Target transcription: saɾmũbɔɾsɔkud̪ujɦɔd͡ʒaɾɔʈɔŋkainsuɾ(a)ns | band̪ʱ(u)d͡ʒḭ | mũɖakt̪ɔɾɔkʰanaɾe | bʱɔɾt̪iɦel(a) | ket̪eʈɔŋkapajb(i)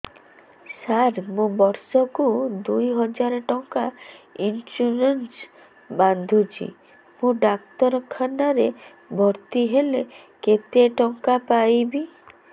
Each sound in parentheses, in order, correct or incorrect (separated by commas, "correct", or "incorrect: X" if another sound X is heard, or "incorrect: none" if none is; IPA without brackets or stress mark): incorrect: e, correct, incorrect: e, correct